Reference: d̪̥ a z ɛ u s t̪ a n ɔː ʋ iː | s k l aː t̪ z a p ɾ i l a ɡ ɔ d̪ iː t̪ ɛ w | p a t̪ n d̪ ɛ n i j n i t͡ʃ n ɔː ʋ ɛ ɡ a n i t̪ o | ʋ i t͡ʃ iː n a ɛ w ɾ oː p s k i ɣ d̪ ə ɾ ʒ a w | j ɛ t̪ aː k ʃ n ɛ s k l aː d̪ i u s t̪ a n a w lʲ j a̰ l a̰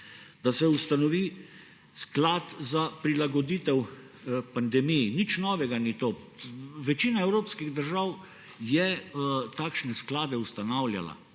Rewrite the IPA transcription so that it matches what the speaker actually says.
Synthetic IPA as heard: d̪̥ a s ɛ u s t̪ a n ɔ ʋ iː | s k l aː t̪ z a p ɾ i l a ɡ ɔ d̪ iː t̪ ɛ w | p a n d̪ ɛ m i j n i t͡ʃ n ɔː ʋ ɛ ɡ a n i t̪ o | ʋ ɛ t͡ʃ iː n a ɛ w ɾ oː p s k i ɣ d̪ ə ɾ ʒ a w | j ɛ t̪ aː k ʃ n ɛ s k l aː d̪ ɛ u s t̪ a n a w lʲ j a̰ l a̰